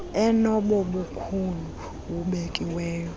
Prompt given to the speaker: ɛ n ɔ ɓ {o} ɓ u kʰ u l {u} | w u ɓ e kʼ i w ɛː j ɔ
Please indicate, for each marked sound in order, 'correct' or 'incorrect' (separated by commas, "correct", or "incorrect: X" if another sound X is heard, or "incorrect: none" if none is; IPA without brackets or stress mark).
incorrect: ɔ, correct